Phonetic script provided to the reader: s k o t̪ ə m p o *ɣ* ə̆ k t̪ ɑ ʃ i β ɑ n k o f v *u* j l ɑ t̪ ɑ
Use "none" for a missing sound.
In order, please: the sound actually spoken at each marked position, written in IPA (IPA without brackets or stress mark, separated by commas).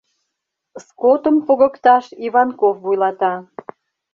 ɣ, u